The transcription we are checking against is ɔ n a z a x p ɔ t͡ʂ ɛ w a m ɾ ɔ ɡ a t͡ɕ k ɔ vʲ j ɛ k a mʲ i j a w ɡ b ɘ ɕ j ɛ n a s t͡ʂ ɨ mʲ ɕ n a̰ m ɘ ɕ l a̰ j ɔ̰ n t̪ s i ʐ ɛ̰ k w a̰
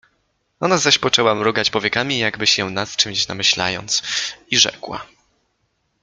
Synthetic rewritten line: ɔ n a z a ɕ p ɔ t͡ʂ ɛ w a m ɾ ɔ ɡ a t͡ɕ p ɔ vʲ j ɛ k a mʲ i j a ɡ b ɘ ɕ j ɛ n a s t͡ʂ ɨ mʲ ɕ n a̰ m ɘ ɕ l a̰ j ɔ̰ n t̪ s i ʐ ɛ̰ k w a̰